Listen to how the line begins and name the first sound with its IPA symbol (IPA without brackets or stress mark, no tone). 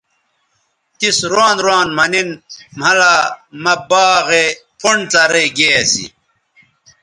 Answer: t̪